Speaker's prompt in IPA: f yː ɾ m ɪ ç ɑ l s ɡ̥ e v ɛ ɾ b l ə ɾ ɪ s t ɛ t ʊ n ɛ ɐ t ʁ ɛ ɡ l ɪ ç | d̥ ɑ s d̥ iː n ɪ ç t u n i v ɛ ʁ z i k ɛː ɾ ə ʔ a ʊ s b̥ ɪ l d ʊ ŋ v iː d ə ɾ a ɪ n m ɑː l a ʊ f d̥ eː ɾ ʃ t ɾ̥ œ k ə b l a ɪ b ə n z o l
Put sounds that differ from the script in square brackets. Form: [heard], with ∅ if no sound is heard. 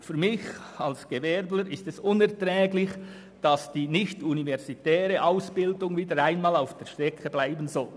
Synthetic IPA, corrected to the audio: f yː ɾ m ɪ ç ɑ l s ɡ̥ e v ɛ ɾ b l ə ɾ ɪ s t ɛ [s] ʊ n ɛ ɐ t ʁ [ɛː] ɡ l ɪ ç | d̥ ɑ s d̥ iː n ɪ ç t u n i v ɛ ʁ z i [t] ɛː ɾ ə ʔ a ʊ s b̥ ɪ l d ʊ ŋ v iː d ə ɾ a ɪ n m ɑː l a ʊ f d̥ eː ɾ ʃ t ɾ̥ [ɛ] k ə b l a ɪ b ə n z [ɔ] l